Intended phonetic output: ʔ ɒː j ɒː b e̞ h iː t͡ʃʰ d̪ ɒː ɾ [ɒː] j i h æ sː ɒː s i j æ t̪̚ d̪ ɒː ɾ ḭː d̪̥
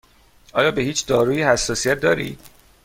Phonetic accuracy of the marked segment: incorrect: uː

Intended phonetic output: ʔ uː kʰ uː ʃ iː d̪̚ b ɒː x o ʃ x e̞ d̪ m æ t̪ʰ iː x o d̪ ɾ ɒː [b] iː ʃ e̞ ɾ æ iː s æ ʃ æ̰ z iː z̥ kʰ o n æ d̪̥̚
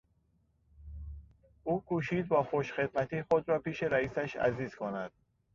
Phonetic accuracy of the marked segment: incorrect: p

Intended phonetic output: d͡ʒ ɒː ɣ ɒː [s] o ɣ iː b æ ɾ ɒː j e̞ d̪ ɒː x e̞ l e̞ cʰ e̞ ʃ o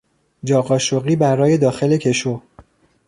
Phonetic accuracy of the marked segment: incorrect: ʃ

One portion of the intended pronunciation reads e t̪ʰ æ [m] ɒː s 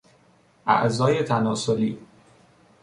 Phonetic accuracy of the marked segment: incorrect: n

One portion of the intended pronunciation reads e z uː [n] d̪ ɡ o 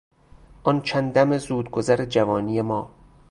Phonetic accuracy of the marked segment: incorrect: none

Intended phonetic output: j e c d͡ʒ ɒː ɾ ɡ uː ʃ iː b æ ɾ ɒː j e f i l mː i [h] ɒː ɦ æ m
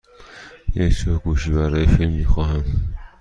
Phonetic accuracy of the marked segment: incorrect: x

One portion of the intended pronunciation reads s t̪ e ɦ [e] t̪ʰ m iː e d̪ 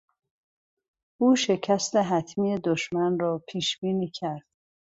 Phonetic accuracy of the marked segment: incorrect: æ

